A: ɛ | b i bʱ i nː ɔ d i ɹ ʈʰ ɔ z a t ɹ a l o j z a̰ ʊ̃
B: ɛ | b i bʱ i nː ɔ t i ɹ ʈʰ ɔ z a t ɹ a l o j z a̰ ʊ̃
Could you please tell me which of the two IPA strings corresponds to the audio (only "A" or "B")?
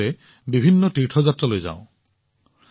B